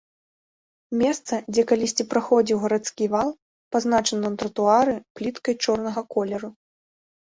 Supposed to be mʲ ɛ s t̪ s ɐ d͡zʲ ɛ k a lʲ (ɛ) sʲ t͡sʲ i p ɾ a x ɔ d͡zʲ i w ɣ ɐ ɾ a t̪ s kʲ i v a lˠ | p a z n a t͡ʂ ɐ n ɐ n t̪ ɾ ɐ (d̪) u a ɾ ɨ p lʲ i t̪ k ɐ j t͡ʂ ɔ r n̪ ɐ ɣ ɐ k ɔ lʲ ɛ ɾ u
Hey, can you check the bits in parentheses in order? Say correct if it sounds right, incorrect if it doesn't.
incorrect: i, incorrect: t̪

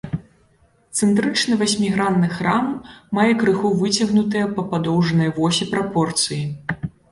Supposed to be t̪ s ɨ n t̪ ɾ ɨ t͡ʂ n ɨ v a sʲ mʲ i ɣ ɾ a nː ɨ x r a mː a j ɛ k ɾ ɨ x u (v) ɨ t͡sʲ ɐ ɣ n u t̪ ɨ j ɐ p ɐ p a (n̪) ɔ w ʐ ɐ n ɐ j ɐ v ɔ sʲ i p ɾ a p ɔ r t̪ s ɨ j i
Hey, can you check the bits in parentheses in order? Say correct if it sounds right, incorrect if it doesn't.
correct, incorrect: d̪

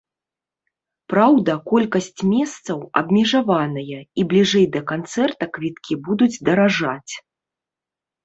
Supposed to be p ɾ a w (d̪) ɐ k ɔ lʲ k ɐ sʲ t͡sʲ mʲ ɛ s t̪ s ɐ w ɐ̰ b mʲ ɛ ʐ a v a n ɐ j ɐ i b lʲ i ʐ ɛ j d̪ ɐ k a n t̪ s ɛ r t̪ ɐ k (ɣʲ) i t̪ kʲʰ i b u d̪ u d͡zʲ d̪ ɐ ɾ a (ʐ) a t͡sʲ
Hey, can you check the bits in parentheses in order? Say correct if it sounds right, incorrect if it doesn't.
correct, incorrect: vʲ, correct

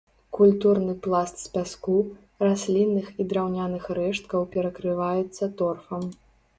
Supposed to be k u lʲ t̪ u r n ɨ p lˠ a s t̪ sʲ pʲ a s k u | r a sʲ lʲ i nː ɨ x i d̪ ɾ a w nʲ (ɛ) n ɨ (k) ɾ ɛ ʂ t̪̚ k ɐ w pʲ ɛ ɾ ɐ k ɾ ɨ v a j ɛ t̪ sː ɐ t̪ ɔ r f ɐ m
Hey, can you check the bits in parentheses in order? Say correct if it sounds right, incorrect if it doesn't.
incorrect: a, incorrect: x

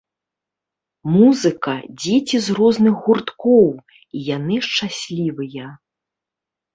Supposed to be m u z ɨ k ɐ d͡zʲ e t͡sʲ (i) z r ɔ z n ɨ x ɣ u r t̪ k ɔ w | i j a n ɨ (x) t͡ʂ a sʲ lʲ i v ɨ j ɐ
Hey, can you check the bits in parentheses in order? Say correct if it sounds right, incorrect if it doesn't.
correct, incorrect: ʂ

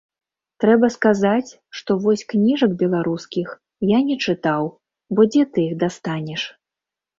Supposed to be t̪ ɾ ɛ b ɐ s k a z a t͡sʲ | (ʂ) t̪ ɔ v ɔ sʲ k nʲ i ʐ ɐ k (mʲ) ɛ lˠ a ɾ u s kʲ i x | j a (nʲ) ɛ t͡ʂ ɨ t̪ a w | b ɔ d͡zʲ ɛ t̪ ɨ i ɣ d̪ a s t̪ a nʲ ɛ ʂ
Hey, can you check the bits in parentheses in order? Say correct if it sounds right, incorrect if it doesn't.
correct, incorrect: bʲ, correct

